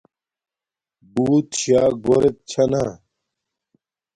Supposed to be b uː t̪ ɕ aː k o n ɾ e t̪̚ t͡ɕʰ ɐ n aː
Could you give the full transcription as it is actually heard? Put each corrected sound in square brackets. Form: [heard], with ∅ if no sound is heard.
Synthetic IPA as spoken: b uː t̪ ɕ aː [ɡ] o [∅] ɾ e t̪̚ t͡ɕʰ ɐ n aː